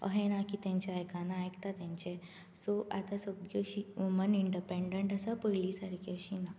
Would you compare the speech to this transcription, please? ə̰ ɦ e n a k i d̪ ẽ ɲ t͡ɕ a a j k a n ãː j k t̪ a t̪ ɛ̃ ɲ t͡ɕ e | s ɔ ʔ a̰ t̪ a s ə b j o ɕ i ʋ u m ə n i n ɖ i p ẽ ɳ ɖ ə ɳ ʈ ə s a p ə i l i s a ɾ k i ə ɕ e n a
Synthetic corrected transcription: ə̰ ɦ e n a k i t̪ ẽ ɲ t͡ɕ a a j k a n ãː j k t̪ a t̪ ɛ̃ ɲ t͡ɕ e | s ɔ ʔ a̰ t̪ a s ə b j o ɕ i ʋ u m ə n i ɳ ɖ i p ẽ ɳ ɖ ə ɳ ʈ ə s a p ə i l i s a ɾ k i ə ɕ i n a